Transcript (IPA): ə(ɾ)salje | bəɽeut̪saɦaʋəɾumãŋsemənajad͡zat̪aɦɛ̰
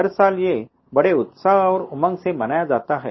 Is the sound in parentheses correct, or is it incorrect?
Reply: correct